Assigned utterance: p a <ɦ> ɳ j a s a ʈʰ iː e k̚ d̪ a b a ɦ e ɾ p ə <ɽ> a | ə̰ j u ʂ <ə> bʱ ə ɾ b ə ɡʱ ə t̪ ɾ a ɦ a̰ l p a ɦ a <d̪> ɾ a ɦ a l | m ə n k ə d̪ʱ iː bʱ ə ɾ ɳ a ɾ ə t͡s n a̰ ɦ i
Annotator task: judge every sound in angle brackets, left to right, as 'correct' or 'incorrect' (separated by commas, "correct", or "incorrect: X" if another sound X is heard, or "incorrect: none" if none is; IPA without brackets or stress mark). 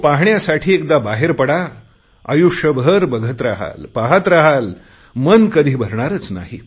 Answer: correct, correct, correct, incorrect: t̪